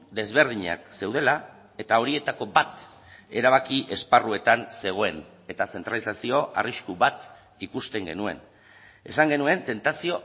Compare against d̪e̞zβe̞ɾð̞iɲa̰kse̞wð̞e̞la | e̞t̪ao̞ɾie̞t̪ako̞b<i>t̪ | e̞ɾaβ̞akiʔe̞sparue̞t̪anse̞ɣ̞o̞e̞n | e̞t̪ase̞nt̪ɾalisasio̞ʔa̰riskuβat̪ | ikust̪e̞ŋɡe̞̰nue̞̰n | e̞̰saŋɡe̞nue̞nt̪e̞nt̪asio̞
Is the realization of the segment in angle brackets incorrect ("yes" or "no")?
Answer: yes